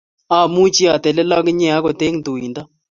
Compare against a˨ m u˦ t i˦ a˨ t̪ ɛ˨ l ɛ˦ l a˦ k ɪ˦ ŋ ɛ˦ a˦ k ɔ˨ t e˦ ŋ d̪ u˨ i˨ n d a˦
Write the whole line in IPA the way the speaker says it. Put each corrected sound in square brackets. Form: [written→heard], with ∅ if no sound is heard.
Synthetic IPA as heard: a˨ m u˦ [t→t͡ʃ] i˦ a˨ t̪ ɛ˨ l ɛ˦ l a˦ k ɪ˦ [ŋ→ɲ] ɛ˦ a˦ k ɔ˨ t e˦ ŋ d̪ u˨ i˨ n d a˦